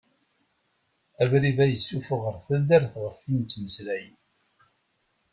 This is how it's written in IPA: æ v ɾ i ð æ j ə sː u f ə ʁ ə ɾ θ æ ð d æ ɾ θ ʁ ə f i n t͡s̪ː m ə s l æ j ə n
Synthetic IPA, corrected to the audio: æ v ɾ i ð æ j ə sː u f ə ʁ ə ɾ θ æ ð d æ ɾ θ ʁ ə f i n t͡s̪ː m ə s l æ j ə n